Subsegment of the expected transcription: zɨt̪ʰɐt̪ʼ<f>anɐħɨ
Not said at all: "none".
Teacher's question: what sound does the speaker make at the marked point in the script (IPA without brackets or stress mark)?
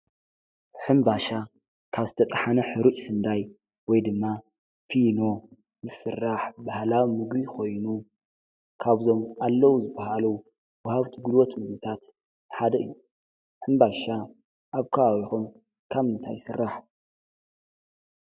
ħ